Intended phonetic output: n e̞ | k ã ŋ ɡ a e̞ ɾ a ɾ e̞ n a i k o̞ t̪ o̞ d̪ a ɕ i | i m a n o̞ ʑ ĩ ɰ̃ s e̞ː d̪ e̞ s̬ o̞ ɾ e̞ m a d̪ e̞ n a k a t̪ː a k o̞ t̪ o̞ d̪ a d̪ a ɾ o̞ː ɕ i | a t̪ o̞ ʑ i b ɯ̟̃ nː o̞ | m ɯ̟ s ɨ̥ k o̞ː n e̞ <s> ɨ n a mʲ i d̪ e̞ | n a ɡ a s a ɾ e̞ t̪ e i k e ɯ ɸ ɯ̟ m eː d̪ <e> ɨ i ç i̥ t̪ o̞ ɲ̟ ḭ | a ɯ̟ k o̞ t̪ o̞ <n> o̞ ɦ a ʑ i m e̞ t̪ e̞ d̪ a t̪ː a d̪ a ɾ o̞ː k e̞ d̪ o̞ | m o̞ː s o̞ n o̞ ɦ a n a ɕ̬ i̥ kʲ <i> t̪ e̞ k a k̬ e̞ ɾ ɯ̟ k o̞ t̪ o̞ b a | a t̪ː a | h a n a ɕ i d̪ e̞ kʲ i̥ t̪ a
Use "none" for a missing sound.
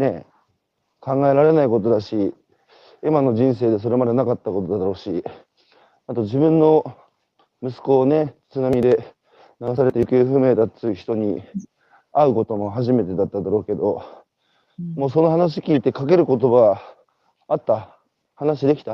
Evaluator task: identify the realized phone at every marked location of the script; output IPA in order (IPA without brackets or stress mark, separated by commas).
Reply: t͡s, a, m, iː